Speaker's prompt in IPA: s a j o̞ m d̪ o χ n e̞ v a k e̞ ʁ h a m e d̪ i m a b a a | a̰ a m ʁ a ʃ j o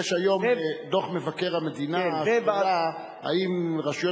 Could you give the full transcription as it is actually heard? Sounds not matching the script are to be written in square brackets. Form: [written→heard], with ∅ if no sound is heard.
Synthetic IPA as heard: [s→ʃ] a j o̞ m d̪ o χ [n→m] e̞ v a k e̞ ʁ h a m e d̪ i [m→n] a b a a | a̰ [a→i] m ʁ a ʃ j o